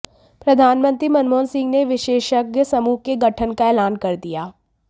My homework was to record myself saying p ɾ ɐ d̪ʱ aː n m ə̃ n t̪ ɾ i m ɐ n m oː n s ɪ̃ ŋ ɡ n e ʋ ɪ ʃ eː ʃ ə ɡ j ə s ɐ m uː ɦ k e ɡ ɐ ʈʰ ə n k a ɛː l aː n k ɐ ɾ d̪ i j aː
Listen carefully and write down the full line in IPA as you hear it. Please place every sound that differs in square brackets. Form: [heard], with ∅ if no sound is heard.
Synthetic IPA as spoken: p ɾ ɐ d̪ʱ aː n m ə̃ n t̪ ɾ i m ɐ n m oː n s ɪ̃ ŋ ɡ n e ʋ ɪ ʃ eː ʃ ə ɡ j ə s ɐ m uː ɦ k e ɡ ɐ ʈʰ ə n k a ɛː l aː n k ɐ ɾ d̪ i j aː